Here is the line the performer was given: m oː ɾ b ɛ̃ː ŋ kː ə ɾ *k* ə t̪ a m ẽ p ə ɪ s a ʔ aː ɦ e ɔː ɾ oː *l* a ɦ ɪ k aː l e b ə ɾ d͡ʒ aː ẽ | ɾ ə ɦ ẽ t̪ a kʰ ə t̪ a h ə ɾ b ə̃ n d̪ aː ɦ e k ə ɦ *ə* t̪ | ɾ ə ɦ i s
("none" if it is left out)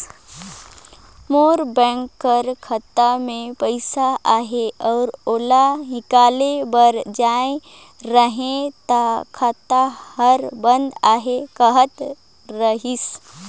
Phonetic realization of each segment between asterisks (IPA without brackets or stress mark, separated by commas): kʰ, l, ə